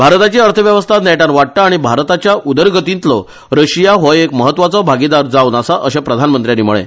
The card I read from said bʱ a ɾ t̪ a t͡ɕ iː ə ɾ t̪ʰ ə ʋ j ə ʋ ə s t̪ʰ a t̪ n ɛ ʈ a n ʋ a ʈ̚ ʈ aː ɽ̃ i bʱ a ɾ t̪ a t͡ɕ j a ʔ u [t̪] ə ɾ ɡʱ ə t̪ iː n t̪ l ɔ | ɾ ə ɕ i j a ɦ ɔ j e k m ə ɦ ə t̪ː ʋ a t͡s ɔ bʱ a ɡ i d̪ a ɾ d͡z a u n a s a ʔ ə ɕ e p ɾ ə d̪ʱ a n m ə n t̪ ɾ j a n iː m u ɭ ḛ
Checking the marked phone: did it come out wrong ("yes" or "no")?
yes